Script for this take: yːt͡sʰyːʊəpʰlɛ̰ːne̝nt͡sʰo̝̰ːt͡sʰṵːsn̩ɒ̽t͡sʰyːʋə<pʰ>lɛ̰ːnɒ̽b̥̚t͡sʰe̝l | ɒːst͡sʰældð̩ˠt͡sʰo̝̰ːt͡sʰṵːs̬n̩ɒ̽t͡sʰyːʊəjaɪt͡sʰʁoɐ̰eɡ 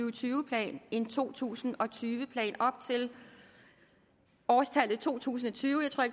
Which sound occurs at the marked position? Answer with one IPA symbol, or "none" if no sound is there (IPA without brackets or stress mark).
pʰ